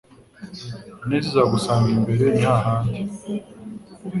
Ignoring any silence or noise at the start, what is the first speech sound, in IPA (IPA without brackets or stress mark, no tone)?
n